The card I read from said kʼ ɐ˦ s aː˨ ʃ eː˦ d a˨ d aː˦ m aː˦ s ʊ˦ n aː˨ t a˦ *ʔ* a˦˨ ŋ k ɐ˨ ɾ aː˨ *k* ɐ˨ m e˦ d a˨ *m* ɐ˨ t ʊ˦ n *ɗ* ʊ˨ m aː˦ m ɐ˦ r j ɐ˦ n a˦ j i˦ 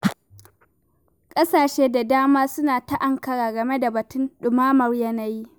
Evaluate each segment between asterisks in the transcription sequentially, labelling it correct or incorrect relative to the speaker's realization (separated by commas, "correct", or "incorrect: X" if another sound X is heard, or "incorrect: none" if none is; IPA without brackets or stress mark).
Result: correct, incorrect: ɡ, incorrect: b, correct